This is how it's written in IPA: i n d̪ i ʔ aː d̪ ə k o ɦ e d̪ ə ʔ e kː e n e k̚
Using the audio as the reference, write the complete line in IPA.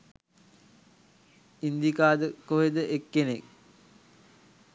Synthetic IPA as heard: i n d̪ i k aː d̪ ə k o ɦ e d̪ ə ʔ e kː e n e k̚